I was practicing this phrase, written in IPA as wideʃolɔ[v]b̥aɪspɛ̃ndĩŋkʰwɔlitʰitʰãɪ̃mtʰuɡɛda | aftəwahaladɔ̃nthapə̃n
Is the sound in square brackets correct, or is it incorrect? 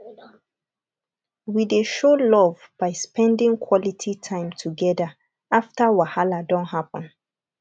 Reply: correct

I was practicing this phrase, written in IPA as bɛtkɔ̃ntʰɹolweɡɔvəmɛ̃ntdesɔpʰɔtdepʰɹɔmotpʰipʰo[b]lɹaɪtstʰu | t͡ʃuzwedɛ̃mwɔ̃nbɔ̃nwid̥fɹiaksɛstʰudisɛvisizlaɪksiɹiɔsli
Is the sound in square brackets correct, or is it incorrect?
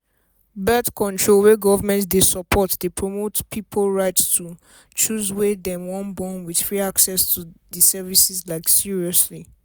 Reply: incorrect: none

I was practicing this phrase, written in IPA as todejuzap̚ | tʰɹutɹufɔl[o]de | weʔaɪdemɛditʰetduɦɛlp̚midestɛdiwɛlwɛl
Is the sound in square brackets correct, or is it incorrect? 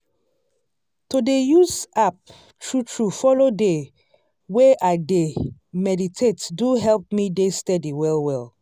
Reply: correct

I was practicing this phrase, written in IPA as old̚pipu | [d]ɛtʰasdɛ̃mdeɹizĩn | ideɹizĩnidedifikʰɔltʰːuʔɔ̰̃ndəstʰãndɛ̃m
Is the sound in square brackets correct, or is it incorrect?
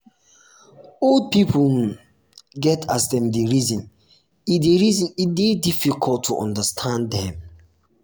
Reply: incorrect: ɡ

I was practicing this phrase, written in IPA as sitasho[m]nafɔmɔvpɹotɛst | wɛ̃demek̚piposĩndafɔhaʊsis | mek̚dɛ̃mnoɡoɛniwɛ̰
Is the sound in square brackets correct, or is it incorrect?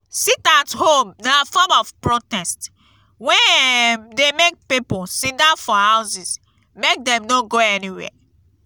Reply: correct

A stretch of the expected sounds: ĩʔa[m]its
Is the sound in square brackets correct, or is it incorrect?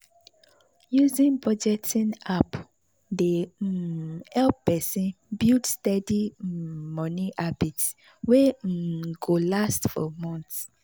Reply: incorrect: b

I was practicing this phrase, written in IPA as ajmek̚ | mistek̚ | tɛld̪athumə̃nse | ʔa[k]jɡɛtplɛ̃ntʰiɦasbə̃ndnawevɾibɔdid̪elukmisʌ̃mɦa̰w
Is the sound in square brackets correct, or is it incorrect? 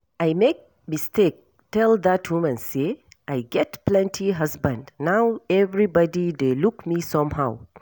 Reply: incorrect: none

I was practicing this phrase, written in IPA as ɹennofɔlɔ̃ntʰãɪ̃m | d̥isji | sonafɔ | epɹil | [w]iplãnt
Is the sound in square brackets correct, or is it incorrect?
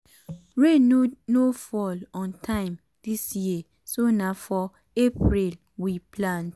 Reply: correct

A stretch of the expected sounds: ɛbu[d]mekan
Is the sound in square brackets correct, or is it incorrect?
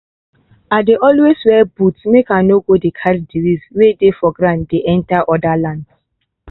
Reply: incorrect: t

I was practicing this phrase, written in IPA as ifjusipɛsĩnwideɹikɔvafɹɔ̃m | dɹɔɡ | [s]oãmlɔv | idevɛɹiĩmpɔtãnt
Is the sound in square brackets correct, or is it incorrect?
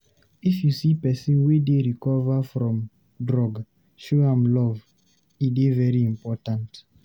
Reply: incorrect: ʃ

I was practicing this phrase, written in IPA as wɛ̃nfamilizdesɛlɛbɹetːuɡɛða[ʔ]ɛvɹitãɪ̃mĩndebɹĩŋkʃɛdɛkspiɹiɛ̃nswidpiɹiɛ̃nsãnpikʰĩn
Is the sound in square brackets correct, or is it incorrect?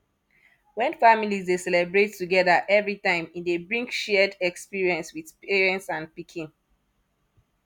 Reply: correct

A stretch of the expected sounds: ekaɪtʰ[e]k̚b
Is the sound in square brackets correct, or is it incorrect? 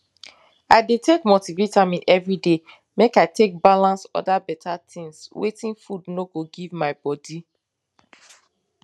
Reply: correct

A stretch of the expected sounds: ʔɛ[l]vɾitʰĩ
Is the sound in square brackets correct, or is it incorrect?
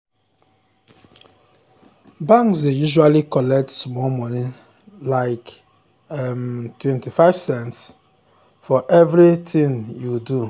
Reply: incorrect: none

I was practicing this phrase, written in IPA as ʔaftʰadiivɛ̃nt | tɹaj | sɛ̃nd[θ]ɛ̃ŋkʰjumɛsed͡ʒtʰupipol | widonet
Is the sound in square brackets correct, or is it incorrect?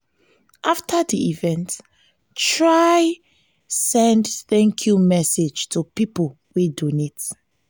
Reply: correct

